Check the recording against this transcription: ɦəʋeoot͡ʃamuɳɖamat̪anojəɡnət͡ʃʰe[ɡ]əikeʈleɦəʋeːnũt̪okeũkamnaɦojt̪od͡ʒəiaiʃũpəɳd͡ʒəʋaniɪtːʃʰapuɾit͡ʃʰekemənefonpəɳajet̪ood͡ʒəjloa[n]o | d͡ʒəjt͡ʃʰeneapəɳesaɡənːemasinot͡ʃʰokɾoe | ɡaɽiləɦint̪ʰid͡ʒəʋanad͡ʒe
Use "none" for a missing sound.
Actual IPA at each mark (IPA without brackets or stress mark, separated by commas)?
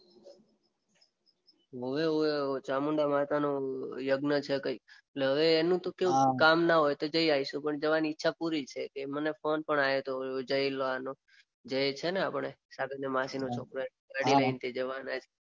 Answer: k, n